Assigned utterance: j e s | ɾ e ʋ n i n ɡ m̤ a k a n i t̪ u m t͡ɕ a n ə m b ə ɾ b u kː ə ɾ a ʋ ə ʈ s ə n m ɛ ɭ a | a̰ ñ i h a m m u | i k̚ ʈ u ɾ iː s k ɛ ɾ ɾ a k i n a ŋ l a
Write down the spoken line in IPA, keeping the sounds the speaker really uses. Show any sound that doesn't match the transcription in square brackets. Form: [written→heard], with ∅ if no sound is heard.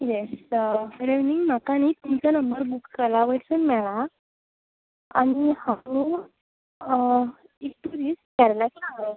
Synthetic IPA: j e s | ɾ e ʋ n i [n→ŋ] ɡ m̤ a k a n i t̪ u m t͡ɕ a n ə m b ə ɾ b u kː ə [ɾ→l] a ʋ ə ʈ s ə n m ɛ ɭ a | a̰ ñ i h a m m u | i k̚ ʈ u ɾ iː s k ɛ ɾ [ɾ→l] a k i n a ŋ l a